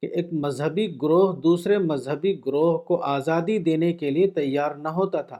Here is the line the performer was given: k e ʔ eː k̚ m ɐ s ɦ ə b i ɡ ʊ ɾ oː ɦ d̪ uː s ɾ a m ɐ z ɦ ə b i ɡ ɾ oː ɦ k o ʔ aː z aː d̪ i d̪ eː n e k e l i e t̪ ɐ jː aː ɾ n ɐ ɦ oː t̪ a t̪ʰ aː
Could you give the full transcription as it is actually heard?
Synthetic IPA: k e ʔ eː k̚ m ɐ z ɦ ə b i ɡ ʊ ɾ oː ɦ d̪ uː s ɾ e m ɐ z ɦ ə b i ɡ ɾ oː ɦ k o ʔ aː z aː d̪ i d̪ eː n e k e l i e t̪ ɐ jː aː ɾ n ɐ ɦ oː t̪ a t̪ʰ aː